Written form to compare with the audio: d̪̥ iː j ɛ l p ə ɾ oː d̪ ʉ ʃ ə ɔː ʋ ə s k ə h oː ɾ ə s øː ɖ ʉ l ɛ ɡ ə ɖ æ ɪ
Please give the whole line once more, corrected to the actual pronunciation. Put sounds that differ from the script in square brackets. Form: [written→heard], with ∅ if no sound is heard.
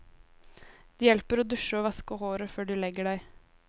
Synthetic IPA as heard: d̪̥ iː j ɛ l p ə ɾ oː d̪ ʉ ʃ ə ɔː ʋ [ə→ɑ] s k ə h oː ɾ ə [s→f] øː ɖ ʉ l ɛ ɡ ə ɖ æ ɪ

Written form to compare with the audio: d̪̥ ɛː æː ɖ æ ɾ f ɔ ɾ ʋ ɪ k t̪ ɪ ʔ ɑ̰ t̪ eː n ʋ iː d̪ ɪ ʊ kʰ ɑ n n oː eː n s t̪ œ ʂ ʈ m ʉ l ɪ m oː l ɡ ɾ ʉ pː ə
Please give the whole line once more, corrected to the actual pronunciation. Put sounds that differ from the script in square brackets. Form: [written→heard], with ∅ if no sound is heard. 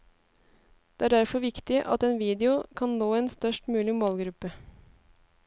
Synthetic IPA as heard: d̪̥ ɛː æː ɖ æ ɾ f ɔ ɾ ʋ ɪ k t̪ ɪ ʔ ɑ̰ t̪ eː n ʋ iː d̪ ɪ ʊ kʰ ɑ n n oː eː n s t̪ œ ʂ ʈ m [ʉ→ʉː] l ɪ m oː l ɡ ɾ ʉ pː ə

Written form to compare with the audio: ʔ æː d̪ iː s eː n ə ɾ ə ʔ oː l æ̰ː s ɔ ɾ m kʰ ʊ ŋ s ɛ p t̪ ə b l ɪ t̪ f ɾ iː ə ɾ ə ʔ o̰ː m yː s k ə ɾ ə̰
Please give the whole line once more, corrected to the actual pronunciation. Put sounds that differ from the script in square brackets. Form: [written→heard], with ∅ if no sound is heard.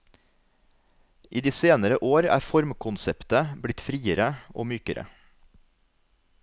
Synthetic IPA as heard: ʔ [æː→iː] d̪ iː s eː n ə ɾ ə ʔ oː [l→ɾ] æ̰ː [s→f] ɔ ɾ m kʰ ʊ [ŋ→n] s ɛ p t̪ ə b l ɪ t̪ f ɾ iː ə ɾ ə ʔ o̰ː m yː [s→∅] k ə ɾ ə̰

